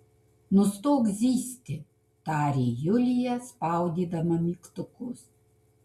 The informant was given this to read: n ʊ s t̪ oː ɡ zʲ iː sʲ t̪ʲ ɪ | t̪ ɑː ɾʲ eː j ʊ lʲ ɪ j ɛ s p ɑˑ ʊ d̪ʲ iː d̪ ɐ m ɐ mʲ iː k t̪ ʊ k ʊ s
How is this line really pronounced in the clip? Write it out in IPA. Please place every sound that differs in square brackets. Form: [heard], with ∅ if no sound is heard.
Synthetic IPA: n ʊ s t̪ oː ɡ zʲ iː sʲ t̪ʲ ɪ | t̪ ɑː ɾʲ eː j ʊ lʲ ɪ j ɛ s p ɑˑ ʊ d̪ʲ iː d̪ ɐ m ɐ mʲ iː k t̪ ʊ k ʊ s